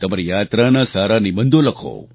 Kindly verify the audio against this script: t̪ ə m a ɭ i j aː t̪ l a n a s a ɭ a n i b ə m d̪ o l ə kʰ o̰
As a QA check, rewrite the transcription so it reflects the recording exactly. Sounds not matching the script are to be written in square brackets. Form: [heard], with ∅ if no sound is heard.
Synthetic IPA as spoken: t̪ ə m a [ɾ] i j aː t̪ [ɾ] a n a s a [ɾ] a n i b ə [n] d̪ o l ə kʰ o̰